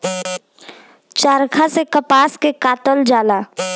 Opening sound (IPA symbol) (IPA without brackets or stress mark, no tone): t͡ʃ